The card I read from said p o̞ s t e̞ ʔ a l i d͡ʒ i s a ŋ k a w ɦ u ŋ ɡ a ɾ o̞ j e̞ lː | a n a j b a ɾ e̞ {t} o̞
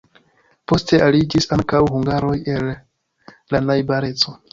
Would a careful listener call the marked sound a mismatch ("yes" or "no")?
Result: yes